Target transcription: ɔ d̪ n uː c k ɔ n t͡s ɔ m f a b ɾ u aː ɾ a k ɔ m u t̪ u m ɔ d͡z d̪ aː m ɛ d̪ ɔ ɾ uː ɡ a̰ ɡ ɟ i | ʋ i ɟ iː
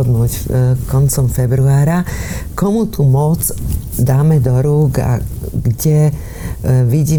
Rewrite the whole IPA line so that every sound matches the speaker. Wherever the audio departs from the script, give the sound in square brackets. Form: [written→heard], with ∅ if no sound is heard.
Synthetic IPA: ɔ d̪ n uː c k ɔ n t͡s ɔ m f [a→ɛ] b ɾ u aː ɾ a k ɔ m u t̪ u m ɔ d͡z d̪ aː m ɛ d̪ ɔ ɾ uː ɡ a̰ ɡ ɟ [i→ɛ] | ʋ i ɟ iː